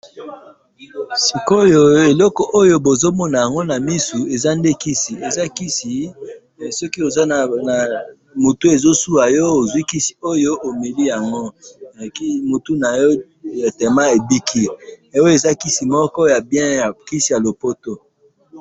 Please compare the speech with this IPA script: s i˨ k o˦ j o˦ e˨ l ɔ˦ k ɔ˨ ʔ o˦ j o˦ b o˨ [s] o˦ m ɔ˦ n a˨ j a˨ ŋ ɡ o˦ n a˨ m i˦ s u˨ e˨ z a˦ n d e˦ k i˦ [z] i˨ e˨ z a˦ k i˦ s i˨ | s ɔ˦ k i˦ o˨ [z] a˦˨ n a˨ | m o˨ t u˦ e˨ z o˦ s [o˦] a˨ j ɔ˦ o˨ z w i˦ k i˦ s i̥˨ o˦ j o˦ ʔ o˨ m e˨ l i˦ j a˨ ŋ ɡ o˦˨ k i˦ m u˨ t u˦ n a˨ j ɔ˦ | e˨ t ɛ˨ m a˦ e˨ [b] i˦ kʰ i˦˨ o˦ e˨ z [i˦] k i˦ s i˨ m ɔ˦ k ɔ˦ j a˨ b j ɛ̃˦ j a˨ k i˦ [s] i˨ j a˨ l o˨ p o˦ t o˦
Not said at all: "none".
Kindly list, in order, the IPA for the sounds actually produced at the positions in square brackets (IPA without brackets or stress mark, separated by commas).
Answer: z, s, z, u˦, b, a˦, s